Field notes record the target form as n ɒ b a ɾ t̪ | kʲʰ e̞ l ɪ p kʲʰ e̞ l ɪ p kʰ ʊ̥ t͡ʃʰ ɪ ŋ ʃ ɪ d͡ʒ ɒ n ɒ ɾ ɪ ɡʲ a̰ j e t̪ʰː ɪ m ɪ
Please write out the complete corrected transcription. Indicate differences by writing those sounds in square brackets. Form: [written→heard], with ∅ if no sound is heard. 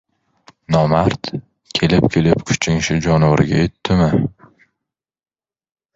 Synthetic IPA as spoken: n ɒ [b→m] a ɾ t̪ | kʲʰ e̞ l ɪ p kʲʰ e̞ l ɪ p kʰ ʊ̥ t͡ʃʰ ɪ ŋ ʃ ɪ d͡ʒ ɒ n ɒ ɾ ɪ ɡʲ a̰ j e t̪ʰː ɪ m ɪ